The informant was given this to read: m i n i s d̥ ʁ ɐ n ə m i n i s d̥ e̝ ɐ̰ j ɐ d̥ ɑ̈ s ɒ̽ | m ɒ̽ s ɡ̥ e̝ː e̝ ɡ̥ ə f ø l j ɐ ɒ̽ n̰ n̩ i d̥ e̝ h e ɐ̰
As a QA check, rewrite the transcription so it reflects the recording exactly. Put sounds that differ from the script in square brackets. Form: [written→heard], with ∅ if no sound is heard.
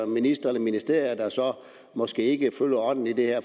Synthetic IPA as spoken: m i n i s d̥ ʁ ɐ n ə m i n i s d̥ e̝ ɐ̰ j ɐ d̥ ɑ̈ s ɒ̽ | m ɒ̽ s ɡ̥ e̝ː e̝ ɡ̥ ə f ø l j ɐ ɒ̽ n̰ n̩ i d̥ e̝ h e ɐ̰